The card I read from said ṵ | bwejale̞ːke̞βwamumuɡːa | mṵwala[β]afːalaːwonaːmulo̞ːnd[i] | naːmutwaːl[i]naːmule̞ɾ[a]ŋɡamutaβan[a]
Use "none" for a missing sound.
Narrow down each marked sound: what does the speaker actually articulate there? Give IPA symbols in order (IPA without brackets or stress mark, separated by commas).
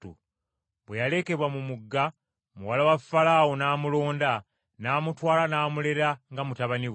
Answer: w, a, a, a, i